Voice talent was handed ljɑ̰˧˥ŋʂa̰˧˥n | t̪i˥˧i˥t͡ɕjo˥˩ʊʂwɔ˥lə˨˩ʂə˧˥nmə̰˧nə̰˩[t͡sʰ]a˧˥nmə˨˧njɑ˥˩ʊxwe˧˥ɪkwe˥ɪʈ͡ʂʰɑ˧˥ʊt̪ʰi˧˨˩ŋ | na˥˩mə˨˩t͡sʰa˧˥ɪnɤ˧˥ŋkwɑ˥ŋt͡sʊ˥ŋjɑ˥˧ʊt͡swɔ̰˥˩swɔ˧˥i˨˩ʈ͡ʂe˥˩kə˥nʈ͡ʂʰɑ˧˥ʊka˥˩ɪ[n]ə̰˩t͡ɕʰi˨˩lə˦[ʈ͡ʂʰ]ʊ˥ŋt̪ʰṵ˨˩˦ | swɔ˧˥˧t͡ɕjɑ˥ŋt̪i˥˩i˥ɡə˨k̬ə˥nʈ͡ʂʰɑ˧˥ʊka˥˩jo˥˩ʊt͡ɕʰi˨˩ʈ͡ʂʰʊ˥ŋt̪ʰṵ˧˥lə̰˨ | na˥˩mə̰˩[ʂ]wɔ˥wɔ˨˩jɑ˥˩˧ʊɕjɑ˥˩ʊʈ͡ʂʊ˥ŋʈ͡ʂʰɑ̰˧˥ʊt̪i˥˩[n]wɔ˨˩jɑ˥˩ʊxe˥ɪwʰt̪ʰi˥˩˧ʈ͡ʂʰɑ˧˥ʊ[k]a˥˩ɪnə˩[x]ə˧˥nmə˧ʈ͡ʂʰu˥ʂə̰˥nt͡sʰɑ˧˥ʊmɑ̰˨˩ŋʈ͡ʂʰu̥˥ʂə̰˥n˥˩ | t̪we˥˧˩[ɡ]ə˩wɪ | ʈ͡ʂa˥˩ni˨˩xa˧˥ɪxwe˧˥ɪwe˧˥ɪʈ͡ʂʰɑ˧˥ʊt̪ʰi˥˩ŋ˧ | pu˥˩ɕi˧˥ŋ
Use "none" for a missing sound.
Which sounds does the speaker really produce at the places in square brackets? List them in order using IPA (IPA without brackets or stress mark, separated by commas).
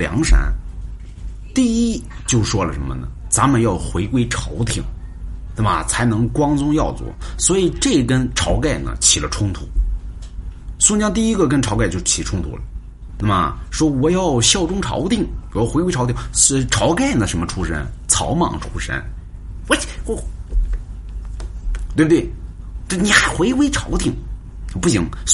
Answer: t͡s, n, ʈ͡ʂʰ, ʂ, ŋ, k, ʂ, b